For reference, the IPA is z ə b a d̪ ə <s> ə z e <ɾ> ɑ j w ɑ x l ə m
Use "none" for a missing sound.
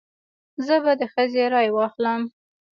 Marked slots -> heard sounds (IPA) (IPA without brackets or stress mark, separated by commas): x, ɾ